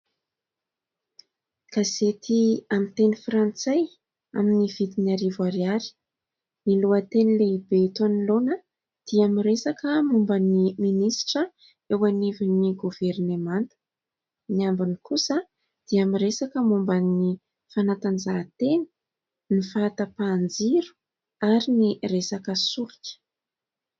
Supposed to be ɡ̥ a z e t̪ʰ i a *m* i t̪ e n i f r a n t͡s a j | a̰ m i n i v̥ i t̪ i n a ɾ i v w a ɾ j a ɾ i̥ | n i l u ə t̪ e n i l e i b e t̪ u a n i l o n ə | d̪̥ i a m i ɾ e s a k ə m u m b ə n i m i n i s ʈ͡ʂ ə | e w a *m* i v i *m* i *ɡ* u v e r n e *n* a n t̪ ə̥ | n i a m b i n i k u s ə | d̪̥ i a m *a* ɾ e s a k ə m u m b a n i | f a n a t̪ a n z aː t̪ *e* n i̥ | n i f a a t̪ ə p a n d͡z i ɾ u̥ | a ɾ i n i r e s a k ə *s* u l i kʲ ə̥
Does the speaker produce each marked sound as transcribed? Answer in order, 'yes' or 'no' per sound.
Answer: yes, no, no, yes, no, no, yes, yes

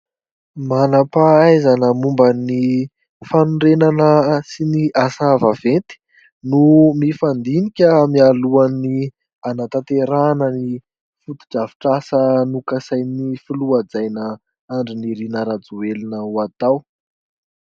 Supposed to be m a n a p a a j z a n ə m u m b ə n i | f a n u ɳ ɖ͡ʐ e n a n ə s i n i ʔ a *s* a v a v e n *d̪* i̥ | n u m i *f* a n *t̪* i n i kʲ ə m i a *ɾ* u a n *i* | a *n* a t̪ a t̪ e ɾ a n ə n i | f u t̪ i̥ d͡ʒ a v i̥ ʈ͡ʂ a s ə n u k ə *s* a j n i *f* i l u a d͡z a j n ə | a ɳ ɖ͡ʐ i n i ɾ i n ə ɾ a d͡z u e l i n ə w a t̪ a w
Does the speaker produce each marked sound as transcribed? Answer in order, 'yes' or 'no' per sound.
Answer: yes, no, yes, no, no, yes, yes, yes, yes

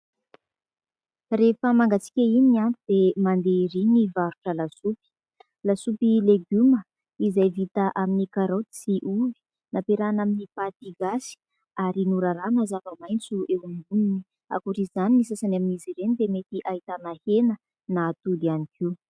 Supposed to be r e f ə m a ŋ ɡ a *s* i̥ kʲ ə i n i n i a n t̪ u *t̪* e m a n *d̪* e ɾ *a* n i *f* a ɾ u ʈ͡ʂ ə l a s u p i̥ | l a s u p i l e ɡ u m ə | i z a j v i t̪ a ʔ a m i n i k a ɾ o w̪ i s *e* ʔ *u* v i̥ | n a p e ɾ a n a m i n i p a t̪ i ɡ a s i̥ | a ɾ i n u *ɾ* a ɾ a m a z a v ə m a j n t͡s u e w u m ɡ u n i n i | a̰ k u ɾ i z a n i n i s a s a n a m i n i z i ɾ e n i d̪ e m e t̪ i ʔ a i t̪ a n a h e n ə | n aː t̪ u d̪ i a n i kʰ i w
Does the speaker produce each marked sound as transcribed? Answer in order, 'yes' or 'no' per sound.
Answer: no, no, yes, no, no, no, yes, yes

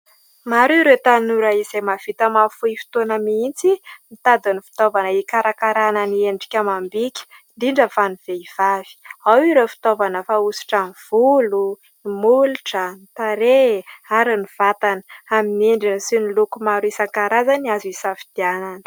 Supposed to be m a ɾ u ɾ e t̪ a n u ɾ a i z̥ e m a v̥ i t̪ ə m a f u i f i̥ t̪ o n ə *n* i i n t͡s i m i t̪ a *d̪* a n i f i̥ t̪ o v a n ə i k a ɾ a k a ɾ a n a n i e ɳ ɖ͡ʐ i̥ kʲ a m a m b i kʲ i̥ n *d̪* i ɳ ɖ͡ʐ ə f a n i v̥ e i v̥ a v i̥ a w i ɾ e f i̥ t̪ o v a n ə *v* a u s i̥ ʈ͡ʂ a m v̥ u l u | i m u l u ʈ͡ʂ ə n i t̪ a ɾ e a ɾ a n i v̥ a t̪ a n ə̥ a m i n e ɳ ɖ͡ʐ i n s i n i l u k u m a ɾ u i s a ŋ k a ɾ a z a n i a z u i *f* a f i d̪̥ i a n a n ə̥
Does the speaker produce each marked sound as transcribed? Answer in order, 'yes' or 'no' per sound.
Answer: no, yes, yes, no, no

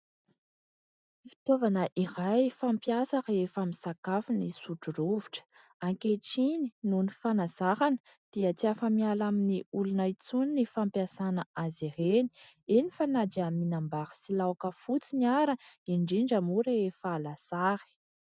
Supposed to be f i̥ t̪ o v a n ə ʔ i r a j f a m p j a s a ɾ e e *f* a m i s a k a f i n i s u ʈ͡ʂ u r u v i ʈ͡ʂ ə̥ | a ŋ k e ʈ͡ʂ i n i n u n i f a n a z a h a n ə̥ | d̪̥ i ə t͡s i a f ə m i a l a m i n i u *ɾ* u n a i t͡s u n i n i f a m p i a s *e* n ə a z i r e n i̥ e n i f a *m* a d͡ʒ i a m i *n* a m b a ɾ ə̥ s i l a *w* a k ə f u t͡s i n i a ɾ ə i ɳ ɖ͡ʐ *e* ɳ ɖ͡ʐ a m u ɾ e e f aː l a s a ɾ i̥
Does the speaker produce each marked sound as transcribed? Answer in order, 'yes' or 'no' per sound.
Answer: yes, no, no, no, yes, yes, no

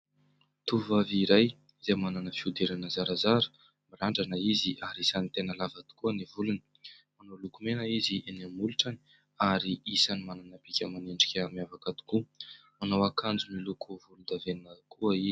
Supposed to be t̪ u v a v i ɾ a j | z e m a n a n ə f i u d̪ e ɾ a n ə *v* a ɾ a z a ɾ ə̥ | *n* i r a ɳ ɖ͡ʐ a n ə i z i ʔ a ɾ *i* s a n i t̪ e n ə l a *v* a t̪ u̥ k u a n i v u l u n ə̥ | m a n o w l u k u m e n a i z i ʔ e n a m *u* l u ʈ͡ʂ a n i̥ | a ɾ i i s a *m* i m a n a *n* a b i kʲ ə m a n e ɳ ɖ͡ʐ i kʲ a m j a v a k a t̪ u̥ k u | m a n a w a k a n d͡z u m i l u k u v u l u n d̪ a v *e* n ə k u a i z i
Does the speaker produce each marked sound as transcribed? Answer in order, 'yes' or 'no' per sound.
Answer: no, no, yes, yes, yes, no, yes, yes

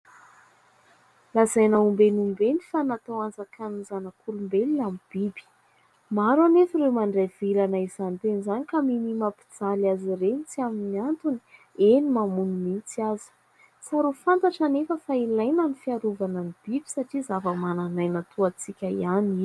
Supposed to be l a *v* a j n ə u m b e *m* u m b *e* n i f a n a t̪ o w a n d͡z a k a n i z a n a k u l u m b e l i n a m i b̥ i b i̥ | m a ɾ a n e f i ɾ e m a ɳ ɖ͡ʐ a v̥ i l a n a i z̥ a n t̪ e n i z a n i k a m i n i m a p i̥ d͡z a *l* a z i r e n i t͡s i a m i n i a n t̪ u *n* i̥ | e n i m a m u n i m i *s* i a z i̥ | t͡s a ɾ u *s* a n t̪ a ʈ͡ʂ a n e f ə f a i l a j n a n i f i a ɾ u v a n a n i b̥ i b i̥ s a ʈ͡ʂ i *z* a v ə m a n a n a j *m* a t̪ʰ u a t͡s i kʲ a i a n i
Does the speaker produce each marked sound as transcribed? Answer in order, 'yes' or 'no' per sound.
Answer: no, no, yes, yes, yes, no, no, yes, no

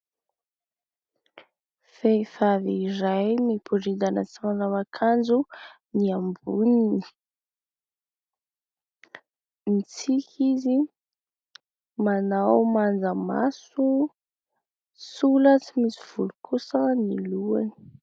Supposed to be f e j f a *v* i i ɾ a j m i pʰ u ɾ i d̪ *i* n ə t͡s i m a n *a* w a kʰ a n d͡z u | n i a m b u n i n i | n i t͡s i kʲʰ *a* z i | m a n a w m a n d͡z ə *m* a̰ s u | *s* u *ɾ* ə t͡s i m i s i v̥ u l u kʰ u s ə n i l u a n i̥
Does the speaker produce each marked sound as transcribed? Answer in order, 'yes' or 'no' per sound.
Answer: yes, no, yes, no, yes, yes, no

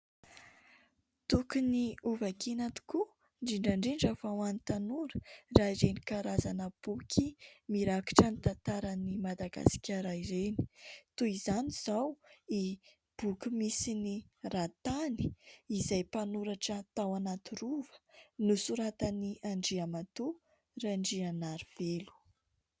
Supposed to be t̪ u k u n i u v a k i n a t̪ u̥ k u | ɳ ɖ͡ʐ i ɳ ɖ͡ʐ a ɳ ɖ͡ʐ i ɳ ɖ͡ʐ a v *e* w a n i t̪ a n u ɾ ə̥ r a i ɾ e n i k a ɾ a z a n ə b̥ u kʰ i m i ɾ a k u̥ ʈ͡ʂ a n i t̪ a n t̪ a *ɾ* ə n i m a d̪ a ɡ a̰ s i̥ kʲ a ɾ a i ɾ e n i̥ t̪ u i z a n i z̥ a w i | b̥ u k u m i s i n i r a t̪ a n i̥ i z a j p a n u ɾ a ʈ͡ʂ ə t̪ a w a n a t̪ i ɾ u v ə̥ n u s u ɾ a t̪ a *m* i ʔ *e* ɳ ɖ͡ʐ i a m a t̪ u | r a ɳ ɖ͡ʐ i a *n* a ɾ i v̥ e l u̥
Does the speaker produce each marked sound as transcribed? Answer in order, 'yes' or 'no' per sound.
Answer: no, yes, no, no, yes

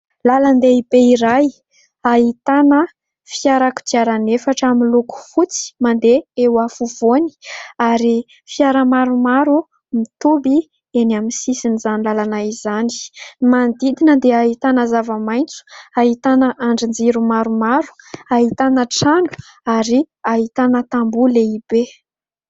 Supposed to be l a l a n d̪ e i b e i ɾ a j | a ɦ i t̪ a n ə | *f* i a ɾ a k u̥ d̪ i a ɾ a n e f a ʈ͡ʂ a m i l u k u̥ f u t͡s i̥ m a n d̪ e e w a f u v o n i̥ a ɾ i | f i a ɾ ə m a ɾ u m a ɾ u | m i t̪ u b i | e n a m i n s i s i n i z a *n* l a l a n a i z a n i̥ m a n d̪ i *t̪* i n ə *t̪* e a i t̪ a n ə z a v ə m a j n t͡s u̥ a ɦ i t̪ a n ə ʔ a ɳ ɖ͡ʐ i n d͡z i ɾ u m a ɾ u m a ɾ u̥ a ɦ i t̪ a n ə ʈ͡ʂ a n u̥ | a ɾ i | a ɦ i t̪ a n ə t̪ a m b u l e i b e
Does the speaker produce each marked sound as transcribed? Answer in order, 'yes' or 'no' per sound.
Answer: yes, yes, no, no

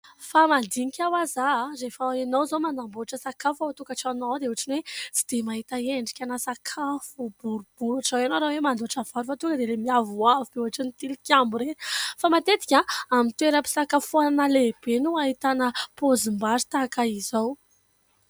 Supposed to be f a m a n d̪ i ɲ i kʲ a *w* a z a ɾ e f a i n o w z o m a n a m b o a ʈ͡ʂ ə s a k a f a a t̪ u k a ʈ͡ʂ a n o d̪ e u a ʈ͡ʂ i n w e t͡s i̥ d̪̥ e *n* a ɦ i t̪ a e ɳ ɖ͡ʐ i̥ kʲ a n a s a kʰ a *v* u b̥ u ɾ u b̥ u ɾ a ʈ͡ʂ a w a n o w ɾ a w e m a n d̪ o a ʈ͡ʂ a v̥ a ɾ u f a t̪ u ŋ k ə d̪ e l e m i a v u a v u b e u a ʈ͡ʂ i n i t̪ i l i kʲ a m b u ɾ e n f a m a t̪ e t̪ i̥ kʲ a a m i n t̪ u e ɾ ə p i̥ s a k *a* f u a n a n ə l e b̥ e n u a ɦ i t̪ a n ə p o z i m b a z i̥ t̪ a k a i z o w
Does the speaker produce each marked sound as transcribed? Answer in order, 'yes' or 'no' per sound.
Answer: yes, no, no, yes

